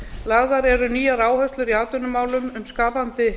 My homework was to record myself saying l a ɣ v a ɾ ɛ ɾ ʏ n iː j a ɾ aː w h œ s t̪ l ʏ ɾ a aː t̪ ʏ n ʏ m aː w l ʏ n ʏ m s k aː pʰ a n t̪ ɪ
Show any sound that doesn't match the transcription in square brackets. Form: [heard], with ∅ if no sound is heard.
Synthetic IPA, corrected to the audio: l a ɣ [ð] a ɾ ɛ ɾ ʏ n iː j a ɾ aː w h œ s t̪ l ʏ ɾ [i] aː t̪ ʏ n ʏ m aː w l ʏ [m] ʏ m s k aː [p] a n t̪ ɪ